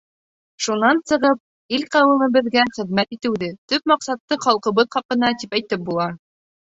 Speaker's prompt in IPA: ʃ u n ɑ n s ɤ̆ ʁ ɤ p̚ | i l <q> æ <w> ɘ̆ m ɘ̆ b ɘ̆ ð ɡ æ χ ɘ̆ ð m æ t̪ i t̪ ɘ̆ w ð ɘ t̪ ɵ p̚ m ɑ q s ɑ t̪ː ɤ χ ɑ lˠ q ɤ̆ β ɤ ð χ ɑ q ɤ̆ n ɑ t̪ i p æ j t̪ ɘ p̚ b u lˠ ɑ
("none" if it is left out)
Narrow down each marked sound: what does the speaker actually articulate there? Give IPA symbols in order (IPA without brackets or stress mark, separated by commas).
q, w